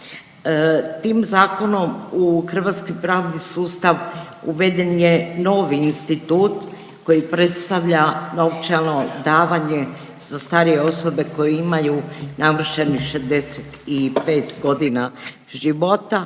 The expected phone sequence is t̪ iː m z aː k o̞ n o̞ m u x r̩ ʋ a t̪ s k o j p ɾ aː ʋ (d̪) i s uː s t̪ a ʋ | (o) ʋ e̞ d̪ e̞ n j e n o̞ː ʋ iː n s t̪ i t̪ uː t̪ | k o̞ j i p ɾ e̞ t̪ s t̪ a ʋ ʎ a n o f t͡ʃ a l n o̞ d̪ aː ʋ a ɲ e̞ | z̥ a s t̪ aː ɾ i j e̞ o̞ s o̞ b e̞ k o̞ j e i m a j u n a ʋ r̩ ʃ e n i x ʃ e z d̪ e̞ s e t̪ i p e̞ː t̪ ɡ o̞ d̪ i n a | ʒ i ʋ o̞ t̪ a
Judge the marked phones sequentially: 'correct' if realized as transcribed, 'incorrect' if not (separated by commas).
correct, incorrect